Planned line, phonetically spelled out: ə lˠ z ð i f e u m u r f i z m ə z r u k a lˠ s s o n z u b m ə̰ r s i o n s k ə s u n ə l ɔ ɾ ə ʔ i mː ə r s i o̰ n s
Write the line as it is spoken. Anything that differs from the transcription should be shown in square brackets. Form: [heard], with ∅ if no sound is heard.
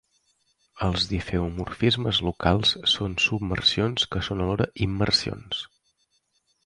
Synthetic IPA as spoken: ə lˠ z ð i f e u m u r f i z m ə z [l] u k a lˠ s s o n [s] u b m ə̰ r s i o n s k ə s [o] n ə l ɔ ɾ ə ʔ i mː ə r s i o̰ n s